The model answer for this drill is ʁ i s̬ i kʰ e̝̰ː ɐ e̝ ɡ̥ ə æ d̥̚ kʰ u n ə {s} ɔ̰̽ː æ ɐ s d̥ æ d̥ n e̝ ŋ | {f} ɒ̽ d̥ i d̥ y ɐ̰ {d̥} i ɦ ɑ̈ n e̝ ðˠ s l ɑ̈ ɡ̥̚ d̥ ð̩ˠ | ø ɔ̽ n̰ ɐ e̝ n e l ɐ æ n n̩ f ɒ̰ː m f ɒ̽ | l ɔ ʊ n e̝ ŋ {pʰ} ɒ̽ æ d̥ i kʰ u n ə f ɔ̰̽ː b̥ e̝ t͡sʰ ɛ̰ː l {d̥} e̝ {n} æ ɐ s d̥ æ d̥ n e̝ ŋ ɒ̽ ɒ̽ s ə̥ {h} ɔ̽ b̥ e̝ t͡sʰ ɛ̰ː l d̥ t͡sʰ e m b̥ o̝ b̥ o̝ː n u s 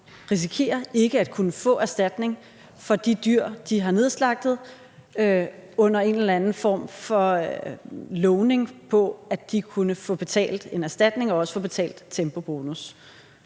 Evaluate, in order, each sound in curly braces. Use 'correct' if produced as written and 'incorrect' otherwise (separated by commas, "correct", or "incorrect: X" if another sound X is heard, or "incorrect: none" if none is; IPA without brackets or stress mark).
incorrect: f, correct, correct, correct, correct, correct, incorrect: f